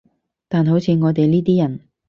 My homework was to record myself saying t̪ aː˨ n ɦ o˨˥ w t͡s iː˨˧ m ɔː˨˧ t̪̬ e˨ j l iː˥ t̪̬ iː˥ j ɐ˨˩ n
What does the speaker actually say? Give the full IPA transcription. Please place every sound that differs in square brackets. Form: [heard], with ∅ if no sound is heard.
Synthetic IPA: t̪ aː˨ n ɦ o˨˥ w [t͡sʰ] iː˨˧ [ŋ] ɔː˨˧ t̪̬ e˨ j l iː˥ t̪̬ iː˥ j ɐ˨˩ n